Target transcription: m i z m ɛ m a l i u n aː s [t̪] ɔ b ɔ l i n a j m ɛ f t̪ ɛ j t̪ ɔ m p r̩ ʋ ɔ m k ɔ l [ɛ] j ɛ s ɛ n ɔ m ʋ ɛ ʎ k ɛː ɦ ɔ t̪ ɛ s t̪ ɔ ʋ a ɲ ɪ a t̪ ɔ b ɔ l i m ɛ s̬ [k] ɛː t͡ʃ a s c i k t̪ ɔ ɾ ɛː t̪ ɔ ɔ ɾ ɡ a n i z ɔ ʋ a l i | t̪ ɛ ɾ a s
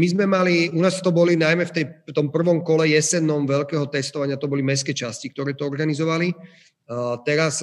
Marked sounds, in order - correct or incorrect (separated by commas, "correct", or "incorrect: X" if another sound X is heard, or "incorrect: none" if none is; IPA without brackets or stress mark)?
correct, correct, correct